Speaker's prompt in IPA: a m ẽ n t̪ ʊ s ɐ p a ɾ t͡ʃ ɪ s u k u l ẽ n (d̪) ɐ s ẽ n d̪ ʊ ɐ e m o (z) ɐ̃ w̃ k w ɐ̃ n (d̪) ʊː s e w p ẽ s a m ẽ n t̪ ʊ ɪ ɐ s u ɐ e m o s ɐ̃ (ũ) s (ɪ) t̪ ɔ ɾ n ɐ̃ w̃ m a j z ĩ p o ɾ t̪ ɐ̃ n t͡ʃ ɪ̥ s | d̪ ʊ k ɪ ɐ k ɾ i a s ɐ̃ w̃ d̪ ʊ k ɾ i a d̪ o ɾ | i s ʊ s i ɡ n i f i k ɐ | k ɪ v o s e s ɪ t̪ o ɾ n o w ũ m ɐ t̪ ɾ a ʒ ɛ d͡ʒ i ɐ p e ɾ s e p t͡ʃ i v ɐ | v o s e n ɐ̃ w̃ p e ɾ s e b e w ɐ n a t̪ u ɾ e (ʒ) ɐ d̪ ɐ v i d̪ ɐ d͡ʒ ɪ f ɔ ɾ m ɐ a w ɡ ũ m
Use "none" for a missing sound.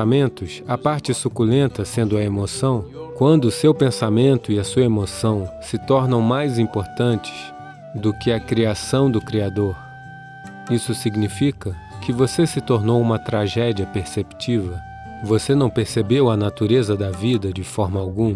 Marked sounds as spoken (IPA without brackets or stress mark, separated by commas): t̪, s, d̪, w̃, ɪ, z